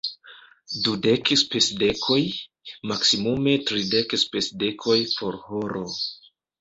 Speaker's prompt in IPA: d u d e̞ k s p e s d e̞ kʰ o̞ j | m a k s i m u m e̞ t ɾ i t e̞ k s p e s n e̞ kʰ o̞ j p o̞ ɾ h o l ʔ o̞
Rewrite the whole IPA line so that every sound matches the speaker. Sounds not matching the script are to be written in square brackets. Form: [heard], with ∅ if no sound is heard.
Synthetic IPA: d u d e̞ k s p e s d e̞ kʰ o̞ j | m a k s i m u m e̞ t ɾ i [d] e̞ k s p e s [d] e̞ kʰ o̞ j p o̞ ɾ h o [ɾ] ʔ o̞